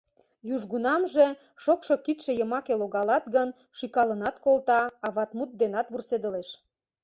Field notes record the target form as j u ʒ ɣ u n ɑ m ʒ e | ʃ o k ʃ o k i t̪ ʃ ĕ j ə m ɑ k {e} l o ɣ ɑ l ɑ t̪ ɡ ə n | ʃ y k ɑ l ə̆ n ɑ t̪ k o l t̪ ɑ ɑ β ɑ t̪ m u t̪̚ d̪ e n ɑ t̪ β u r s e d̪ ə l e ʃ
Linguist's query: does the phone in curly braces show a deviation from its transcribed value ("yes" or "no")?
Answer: no